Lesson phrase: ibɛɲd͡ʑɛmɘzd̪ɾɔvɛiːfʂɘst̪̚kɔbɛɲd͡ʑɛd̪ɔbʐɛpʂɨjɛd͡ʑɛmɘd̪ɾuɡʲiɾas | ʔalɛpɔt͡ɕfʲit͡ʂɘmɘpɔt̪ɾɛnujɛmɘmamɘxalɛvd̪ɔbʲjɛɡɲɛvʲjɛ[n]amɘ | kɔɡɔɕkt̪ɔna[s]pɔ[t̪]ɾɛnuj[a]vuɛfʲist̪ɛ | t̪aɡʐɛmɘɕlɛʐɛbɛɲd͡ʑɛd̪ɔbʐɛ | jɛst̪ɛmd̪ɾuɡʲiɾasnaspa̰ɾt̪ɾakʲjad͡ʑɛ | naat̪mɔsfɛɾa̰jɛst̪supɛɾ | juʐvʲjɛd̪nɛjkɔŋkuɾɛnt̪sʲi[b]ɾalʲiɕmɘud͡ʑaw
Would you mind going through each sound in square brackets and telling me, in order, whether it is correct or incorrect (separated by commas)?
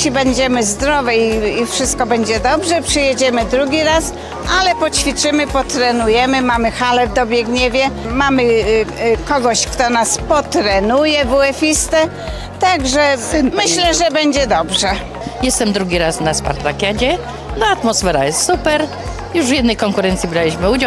incorrect, correct, correct, incorrect, correct